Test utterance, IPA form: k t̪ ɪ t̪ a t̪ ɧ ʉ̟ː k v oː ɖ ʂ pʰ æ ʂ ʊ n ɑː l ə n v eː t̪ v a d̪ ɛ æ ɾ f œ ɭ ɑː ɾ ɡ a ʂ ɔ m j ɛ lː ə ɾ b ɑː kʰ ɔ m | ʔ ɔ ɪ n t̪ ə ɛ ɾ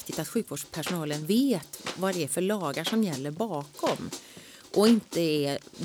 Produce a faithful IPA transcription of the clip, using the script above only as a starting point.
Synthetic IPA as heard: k t̪ ɪ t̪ a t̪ ɧ ʉ̟ː k v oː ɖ ʂ pʰ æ ʂ ʊ n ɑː l ə n v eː t̪ v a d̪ ɛ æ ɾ f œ ɭ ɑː ɡ a ʂ ɔ m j ɛ lː ə ɾ b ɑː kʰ ɔ m | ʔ ɔ ɪ n t̪ ə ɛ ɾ